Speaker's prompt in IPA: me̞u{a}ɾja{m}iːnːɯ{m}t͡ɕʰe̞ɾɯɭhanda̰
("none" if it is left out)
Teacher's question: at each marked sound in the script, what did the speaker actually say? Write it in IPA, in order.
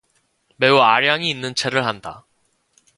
a, ŋ, n

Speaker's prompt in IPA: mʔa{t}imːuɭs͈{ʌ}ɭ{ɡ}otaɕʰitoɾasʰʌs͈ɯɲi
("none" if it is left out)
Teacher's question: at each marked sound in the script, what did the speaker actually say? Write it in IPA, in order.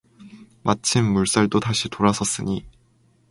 t͡ɕʰ, a, d

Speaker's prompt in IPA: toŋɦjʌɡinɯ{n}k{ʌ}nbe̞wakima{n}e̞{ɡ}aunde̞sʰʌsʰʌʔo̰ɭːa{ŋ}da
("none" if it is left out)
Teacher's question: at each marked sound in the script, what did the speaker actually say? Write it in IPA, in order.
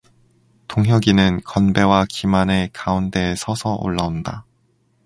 n, ʌ, n, k, n

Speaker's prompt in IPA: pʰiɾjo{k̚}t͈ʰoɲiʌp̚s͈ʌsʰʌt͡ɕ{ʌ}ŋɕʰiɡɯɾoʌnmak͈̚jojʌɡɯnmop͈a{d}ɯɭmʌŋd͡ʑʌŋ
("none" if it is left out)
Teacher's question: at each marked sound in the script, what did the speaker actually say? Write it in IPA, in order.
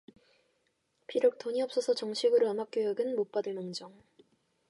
k̚, ʌ, d

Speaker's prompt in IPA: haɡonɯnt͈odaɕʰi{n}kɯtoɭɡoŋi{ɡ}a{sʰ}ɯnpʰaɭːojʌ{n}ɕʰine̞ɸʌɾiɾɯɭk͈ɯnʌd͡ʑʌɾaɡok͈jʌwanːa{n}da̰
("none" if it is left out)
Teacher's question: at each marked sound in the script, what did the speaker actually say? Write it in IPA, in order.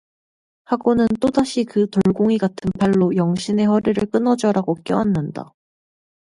none, ɡ, tʰ, ŋ, n

